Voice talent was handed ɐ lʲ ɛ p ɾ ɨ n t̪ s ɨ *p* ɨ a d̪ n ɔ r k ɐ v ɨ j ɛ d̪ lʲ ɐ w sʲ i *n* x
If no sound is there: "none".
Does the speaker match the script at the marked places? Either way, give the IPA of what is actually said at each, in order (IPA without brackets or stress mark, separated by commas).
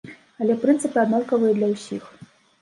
p, none